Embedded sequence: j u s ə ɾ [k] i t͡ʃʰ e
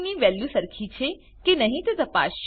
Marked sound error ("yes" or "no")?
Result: yes